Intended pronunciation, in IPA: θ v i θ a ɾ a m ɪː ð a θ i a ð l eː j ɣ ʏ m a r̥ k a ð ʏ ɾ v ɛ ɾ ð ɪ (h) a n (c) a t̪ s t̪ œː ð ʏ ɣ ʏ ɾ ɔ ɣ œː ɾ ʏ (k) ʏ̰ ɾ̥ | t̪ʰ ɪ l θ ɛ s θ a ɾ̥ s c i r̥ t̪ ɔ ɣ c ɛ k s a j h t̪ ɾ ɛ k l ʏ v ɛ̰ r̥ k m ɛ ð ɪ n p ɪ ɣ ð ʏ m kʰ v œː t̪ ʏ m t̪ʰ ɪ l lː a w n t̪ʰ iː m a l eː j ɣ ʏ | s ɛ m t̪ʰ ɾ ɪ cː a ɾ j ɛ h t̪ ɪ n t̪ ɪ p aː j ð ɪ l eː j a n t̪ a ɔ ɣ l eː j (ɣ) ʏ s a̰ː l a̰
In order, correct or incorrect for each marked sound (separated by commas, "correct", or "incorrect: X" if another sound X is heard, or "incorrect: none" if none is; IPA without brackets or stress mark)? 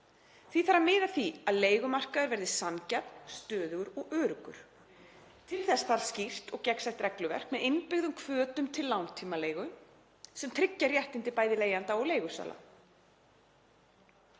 incorrect: s, correct, correct, correct